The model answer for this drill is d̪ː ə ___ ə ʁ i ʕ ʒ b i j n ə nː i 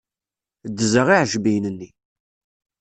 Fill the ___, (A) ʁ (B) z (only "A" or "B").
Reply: B